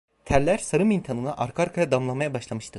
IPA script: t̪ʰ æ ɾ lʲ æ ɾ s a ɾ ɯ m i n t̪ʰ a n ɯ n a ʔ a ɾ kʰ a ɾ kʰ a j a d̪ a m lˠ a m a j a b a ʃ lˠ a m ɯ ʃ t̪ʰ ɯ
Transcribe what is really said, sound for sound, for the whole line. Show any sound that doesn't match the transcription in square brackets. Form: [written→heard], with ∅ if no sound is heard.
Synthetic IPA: t̪ʰ æ ɾ lʲ æ ɾ s a ɾ ɯ m i n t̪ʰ a n ɯ n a ʔ a ɾ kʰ a ɾ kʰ a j a d̪ a m lˠ a m a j a b a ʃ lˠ a m ɯ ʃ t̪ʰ ɯ